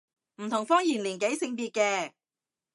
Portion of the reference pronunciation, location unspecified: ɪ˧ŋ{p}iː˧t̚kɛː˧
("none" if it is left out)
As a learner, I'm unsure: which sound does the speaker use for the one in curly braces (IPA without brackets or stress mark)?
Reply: p